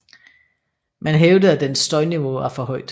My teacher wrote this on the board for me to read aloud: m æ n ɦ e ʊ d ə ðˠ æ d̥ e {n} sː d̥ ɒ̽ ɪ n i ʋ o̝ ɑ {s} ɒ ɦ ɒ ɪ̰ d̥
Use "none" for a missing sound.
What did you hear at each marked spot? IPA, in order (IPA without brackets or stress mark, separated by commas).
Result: n, f